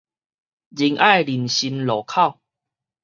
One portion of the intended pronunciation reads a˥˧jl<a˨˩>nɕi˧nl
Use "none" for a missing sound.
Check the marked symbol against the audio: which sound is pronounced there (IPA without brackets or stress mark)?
i˨˩